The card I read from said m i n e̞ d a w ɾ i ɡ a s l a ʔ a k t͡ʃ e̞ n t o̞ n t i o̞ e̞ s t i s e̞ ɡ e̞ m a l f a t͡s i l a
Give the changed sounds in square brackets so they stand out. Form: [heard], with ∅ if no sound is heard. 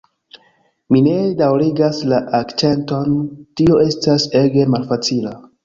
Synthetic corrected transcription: m i n e̞ d a w ɾ i ɡ a s l a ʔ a k t͡ʃ e̞ n t o̞ n t i o̞ e̞ s t [a] s e̞ ɡ e̞ m a l f a t͡s i l a

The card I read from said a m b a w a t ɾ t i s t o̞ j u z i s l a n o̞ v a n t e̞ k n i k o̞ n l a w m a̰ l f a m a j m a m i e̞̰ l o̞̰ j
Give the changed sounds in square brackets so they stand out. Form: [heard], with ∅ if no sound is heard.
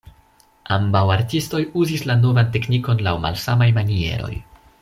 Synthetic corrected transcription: a m b a w a [∅] ɾ t i s t o̞ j u z i s l a n o̞ v a n t e̞ k n i k o̞ n l a w m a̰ l [s] a m a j m a [n] i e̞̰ [ɾ] o̞̰ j

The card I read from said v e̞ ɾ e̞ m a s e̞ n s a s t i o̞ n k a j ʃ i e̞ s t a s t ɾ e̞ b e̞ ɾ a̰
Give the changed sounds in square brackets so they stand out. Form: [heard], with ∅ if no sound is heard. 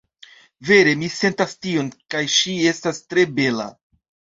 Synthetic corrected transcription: v e̞ ɾ e̞ m [i] s e̞ n [t] a s t i o̞ n k a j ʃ i e̞ s t a s t ɾ e̞ b e̞ [l] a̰

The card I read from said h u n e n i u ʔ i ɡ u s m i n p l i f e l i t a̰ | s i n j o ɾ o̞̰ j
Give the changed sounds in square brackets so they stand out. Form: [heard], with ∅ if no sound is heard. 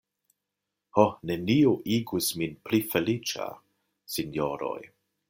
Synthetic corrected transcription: h [o] n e n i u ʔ i ɡ u s m i n p l i f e l i [t͡ʃ] a̰ | s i n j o ɾ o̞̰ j

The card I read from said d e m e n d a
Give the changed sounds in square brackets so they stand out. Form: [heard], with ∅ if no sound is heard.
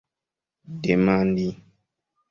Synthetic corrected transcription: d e m [a] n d [i]

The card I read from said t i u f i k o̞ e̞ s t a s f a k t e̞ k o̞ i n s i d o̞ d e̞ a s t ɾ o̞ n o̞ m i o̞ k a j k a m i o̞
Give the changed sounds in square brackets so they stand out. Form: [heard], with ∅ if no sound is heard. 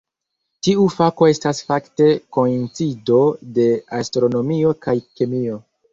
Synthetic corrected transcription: t i u f [a] k o̞ e̞ s t a s f a k t e̞ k o̞ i n [t͡s] i d o̞ d e̞ a s t ɾ o̞ n o̞ m i o̞ k a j k [e] m i o̞

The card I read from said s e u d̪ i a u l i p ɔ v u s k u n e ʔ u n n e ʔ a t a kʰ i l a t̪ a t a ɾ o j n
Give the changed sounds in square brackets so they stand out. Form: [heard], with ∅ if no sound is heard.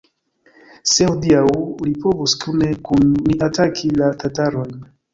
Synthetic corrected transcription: s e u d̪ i a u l i p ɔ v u s k u n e [k] u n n [i] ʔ a t a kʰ i l a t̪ a t a ɾ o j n

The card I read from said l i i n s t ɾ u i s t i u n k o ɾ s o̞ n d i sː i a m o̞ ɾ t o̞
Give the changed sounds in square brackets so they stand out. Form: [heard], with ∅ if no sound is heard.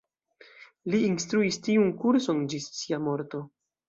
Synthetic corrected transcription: l i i n s t ɾ u i s t i u n k [u] ɾ s o̞ n [d͡ʒ] i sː i a m o̞ ɾ t o̞

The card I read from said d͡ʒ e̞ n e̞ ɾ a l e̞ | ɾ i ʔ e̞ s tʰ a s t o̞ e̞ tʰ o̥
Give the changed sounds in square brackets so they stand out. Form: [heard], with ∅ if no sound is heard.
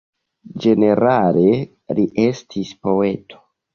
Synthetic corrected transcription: d͡ʒ e̞ n e̞ ɾ a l e̞ | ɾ i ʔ e̞ s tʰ [i] s [p] o̞ e̞ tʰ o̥

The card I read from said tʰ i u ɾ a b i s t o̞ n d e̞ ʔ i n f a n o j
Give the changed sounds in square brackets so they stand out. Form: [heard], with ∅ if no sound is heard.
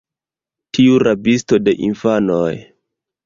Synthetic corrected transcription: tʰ i u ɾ a b i s t o̞ [∅] d e̞ ʔ i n f a n o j

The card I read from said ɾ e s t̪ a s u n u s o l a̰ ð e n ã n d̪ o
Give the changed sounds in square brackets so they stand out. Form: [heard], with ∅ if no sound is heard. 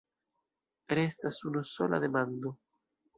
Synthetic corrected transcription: ɾ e s t̪ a s u n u s o l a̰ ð e [m] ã n d̪ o

